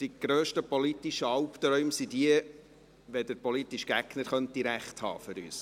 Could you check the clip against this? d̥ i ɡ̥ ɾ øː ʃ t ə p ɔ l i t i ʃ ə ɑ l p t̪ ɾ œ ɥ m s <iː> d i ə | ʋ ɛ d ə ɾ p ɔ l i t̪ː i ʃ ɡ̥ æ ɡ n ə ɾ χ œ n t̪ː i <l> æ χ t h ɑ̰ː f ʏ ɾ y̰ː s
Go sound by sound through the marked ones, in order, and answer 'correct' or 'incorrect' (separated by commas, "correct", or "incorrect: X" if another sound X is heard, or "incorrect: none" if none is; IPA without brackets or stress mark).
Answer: incorrect: i, incorrect: ɾ